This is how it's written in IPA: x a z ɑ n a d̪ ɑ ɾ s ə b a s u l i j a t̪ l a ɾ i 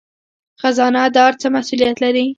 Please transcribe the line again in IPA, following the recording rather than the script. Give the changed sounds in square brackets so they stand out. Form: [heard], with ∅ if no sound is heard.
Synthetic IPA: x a z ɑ n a d̪ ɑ ɾ [t͡s] ə [m] a s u l i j a t̪ l a ɾ i